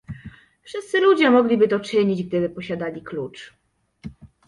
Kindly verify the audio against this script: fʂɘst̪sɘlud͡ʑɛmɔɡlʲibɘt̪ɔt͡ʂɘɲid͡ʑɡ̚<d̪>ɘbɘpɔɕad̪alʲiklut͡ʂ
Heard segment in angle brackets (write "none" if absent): d̪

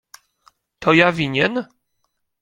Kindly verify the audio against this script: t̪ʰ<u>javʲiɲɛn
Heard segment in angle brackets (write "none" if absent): ɔ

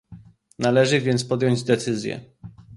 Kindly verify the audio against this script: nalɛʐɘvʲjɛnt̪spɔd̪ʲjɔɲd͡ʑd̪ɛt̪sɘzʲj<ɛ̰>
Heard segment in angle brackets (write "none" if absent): ɛ̰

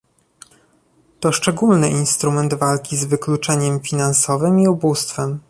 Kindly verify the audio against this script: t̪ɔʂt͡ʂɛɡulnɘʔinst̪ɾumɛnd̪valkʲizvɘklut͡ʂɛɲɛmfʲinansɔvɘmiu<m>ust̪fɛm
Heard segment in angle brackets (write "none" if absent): b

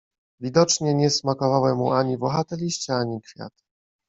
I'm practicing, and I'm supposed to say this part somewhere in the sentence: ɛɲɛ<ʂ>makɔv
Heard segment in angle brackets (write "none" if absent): s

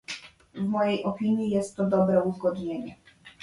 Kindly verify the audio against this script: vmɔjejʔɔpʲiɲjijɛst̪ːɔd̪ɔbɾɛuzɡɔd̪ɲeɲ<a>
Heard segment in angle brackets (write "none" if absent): ɛ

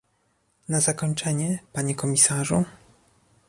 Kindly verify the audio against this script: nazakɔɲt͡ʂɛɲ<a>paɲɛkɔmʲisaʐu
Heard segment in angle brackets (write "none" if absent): ɛ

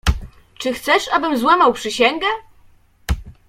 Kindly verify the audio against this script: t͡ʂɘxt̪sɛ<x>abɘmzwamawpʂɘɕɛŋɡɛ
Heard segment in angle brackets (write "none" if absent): ʂ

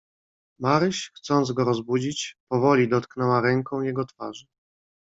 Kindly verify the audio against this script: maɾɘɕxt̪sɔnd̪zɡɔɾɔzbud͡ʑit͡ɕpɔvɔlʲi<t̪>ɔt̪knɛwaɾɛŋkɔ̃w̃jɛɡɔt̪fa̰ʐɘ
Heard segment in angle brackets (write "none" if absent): d̪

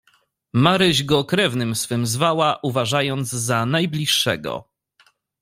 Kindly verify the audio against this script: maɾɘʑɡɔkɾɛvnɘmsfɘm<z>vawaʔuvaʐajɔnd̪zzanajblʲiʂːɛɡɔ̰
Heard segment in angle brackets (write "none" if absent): z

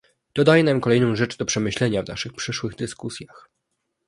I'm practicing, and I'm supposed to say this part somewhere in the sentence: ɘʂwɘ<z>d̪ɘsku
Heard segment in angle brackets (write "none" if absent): ɣ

